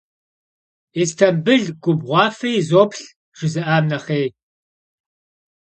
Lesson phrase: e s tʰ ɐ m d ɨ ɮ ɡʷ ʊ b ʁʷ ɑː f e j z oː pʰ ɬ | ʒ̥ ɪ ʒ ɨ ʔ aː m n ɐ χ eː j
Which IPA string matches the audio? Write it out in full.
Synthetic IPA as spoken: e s tʰ ɐ m b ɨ ɮ ɡʷ ʊ b ʁʷ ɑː f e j z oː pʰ ɬ | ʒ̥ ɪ z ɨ ʔ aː m n ɐ χ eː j